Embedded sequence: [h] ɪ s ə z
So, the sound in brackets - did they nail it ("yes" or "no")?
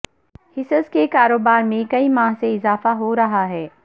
yes